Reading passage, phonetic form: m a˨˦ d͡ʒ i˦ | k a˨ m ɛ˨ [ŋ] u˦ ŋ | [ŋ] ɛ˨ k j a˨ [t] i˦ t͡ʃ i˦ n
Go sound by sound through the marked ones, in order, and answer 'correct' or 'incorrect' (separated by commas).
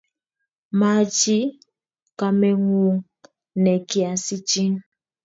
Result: correct, incorrect, incorrect